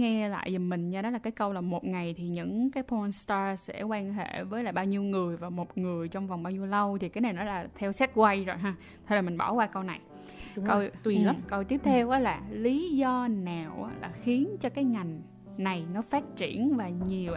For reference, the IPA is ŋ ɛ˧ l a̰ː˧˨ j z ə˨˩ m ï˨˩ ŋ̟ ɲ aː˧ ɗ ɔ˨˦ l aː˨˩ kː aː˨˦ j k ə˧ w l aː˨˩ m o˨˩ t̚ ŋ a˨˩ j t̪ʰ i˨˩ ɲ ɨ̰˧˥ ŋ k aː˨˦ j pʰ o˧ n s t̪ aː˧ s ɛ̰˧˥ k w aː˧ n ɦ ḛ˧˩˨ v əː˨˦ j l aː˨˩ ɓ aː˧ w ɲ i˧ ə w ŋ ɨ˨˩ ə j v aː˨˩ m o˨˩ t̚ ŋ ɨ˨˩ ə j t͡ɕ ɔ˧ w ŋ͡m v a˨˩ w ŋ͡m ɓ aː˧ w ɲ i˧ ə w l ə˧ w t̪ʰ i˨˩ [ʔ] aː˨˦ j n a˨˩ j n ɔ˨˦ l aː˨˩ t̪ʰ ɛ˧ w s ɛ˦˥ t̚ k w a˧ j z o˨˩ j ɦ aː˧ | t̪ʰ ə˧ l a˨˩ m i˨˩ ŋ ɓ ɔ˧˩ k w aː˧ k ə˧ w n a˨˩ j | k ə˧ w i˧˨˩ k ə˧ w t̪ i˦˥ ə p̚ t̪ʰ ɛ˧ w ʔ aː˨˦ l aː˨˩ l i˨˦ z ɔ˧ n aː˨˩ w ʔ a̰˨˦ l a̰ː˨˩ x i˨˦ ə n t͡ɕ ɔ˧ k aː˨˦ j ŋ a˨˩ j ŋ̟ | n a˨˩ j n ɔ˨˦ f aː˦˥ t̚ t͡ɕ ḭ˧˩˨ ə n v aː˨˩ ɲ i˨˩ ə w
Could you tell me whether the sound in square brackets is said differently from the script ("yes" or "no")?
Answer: yes